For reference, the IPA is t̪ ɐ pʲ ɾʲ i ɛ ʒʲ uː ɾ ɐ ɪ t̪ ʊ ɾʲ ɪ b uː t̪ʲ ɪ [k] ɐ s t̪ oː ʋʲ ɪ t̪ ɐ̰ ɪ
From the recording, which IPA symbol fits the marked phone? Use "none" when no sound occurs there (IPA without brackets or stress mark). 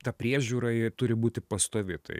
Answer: p